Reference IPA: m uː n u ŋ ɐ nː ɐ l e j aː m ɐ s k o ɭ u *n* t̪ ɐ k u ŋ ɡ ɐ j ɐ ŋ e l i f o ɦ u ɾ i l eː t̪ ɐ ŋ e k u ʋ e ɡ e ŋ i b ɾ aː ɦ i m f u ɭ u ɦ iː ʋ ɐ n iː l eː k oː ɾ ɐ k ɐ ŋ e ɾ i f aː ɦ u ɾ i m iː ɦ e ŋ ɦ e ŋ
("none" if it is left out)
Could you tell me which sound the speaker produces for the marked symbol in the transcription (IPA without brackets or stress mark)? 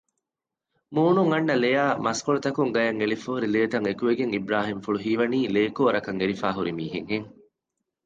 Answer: none